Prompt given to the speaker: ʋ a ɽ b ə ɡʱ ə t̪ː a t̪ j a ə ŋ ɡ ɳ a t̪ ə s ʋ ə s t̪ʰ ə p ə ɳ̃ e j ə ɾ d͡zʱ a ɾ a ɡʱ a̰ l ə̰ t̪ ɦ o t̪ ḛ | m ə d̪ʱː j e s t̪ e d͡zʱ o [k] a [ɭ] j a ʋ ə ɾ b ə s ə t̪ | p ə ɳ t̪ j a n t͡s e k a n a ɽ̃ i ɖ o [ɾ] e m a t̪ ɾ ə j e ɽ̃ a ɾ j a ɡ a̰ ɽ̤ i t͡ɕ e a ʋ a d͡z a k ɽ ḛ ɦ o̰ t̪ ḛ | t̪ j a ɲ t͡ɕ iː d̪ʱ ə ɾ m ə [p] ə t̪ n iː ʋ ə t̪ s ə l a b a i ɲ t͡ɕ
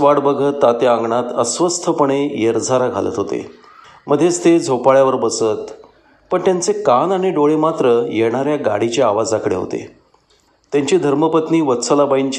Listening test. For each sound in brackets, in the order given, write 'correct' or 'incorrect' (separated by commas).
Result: incorrect, correct, incorrect, correct